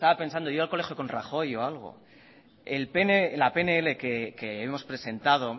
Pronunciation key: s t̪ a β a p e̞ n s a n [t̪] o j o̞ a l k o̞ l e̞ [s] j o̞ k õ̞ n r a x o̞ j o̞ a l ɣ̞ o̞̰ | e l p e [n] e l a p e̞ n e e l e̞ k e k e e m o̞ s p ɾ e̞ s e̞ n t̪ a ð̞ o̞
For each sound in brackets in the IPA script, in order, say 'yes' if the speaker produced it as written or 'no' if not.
no, no, yes

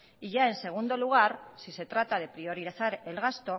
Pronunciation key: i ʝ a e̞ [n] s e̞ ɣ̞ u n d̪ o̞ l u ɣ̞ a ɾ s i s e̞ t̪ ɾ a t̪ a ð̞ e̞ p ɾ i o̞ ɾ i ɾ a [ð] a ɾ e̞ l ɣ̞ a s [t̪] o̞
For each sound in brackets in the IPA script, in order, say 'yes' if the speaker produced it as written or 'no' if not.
yes, no, yes

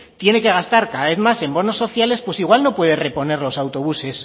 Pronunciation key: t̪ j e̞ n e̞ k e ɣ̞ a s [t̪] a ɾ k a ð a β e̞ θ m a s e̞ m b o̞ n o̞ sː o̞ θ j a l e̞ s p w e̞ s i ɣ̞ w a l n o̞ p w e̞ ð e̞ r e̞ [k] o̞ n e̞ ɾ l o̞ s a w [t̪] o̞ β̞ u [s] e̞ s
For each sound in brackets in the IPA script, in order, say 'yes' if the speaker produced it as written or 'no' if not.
yes, no, yes, yes

